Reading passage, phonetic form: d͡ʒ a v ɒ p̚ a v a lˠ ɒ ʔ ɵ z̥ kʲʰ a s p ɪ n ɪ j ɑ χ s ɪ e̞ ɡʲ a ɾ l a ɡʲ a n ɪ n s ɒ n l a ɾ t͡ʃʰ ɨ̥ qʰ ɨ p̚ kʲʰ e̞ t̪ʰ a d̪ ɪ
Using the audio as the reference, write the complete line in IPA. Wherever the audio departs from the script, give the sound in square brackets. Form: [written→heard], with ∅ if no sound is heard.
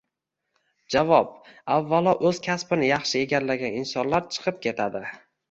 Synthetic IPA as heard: d͡ʒ a v ɒ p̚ a [v→vː] a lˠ ɒ ʔ ɵ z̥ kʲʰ a s p ɪ n ɪ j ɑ χ [s→ʃ] ɪ e̞ ɡʲ a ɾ l a ɡʲ a n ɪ n s ɒ n l a ɾ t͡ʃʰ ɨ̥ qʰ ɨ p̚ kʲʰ e̞ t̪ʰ a d̪ ɪ